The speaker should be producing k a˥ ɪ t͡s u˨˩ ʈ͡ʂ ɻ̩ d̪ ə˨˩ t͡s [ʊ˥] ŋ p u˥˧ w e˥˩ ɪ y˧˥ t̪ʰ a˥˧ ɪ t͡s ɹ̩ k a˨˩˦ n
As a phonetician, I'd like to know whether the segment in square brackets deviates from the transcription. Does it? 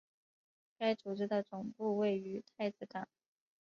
yes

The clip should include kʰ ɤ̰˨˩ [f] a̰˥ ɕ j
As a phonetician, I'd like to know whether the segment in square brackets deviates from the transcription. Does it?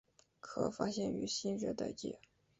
no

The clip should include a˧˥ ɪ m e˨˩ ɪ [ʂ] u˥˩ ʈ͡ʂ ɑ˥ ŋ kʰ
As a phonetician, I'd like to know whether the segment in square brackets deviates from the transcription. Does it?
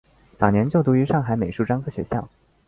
no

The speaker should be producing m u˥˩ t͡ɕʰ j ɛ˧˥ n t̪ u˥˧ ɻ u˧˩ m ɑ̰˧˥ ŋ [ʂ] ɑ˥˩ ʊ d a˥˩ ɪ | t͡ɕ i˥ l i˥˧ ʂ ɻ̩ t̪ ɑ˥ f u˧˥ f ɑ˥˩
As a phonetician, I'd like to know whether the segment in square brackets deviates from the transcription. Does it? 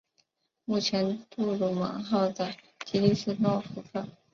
yes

